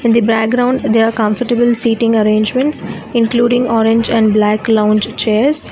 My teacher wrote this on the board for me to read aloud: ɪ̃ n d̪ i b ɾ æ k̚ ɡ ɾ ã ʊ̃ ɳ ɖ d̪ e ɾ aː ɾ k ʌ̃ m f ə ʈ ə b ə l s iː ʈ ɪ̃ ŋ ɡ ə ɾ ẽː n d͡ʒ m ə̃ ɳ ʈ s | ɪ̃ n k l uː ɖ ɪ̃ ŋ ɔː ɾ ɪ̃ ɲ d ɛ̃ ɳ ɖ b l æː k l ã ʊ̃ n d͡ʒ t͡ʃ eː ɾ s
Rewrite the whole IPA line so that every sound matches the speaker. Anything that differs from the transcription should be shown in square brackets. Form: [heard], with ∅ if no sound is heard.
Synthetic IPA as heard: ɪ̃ n d̪ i b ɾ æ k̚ ɡ ɾ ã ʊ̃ ɳ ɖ d̪ e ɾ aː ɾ k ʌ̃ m f ə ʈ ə b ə l s iː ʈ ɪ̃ ŋ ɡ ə ɾ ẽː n d͡ʒ m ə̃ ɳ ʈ s | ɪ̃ n k l uː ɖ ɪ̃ ŋ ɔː ɾ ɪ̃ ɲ [d͡ʒ] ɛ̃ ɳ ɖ b l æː k l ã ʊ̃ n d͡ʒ t͡ʃ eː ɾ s